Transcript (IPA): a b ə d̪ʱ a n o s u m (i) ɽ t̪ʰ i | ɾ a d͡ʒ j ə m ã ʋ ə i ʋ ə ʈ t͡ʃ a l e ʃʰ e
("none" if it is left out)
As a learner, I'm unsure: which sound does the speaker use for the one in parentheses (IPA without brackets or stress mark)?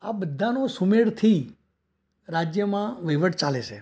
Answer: e